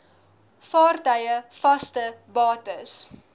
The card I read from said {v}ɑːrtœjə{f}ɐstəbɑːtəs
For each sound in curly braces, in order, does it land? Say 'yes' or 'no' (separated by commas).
no, yes